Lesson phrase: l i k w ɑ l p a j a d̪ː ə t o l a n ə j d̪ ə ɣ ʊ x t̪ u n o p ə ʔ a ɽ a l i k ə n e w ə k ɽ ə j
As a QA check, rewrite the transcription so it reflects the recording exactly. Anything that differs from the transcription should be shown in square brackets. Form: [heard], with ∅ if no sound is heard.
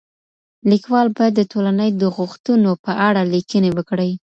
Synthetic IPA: l i k w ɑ l [b] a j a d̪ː ə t o l a n ə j d̪ ə ɣ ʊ x t̪ u n o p ə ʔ a ɽ a l i k ə n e w ə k ɽ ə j